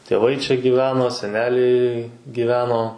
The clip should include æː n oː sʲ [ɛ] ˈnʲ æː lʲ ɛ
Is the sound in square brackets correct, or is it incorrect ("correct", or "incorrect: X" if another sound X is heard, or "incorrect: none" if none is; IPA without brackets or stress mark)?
correct